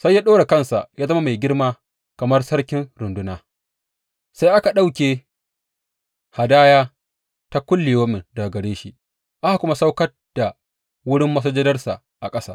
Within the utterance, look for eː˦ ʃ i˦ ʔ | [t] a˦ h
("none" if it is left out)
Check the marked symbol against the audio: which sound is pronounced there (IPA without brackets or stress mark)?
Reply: ʔ